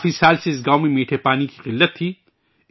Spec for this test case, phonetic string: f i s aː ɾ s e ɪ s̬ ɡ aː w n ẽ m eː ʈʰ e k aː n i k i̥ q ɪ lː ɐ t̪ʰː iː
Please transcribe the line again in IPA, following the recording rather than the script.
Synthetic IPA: f i s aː l s e ɪ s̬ ɡ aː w m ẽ m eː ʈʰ e p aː n i k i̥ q ɪ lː ə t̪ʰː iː